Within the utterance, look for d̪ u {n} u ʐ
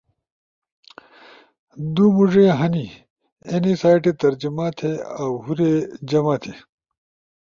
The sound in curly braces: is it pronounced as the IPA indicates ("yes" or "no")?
no